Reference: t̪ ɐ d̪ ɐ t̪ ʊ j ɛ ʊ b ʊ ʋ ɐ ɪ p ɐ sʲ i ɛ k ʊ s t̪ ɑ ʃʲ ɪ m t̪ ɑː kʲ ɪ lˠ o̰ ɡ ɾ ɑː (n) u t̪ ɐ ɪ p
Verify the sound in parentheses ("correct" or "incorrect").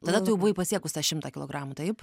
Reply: incorrect